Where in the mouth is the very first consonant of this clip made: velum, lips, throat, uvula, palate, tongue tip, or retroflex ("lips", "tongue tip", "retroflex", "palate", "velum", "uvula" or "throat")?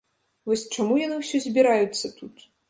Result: lips